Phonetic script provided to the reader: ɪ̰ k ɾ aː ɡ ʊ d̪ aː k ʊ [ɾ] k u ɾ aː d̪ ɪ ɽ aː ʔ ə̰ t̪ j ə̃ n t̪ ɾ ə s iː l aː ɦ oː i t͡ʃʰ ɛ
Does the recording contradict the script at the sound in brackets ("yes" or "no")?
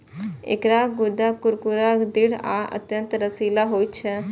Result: no